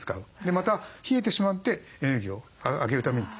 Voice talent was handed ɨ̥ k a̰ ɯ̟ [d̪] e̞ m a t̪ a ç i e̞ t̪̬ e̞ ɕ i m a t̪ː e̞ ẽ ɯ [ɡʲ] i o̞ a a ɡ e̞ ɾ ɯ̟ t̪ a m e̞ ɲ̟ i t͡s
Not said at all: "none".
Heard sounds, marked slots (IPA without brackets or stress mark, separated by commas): d̪, ɡʲ